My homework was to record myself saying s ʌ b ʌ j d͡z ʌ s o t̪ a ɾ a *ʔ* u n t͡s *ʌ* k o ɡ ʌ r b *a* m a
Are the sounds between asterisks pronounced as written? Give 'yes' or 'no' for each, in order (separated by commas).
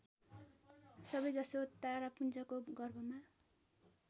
no, yes, no